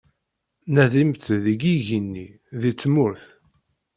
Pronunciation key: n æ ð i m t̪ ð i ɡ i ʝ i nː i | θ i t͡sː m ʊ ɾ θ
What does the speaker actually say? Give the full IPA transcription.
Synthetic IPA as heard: n æ ð i m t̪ ð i ɡ i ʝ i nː i | ð i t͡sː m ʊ ɾ θ

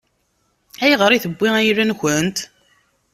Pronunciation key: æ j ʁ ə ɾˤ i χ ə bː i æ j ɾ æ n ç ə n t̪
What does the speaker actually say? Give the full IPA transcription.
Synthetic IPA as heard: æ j ʁ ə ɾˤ i θ ə bː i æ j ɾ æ n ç ə n t̪

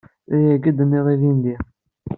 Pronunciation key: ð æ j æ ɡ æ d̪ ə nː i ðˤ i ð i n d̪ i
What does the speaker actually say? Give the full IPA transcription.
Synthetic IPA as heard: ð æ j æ ɡ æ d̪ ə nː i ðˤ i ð i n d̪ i

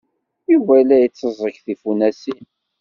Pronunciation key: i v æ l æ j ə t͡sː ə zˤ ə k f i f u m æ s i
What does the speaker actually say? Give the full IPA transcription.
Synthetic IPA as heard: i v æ l æ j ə t͡sː ə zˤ ə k θ i f u n æ s i

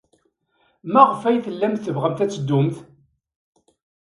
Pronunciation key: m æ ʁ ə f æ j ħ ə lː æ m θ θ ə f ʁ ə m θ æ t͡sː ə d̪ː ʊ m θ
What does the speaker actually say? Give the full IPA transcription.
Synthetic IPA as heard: m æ ʁ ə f æ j θ ə lː æ m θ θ ə v ʁ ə m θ æ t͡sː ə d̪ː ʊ m θ

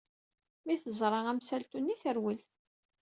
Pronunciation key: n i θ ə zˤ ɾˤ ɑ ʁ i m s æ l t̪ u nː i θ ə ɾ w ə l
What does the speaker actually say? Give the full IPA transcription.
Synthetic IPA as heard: m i θ ə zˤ ɾˤ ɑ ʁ æ m s æ l t̪ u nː i θ ə ɾ w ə l

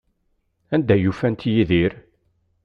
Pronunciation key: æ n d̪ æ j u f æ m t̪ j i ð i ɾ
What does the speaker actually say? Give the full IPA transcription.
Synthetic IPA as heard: æ n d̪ æ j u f æ n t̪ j i ð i ɾ

